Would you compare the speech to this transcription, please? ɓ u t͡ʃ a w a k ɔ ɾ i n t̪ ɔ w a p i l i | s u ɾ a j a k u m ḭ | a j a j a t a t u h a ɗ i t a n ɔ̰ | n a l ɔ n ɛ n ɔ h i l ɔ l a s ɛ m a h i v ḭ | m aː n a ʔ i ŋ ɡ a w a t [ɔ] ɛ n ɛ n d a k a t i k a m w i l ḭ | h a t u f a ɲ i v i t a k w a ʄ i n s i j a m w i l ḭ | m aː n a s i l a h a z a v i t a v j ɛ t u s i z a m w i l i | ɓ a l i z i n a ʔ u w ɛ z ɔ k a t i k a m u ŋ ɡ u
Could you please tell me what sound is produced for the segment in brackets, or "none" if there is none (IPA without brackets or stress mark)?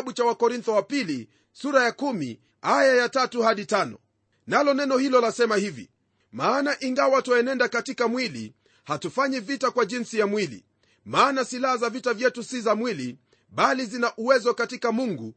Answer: ɔ